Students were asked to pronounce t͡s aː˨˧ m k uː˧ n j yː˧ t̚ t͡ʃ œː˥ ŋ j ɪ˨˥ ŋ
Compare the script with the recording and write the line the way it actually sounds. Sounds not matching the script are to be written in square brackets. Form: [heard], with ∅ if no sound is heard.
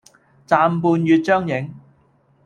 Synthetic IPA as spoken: t͡s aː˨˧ m [p] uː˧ n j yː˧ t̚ t͡ʃ œː˥ ŋ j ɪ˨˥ ŋ